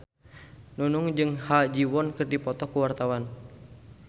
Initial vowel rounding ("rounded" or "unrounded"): rounded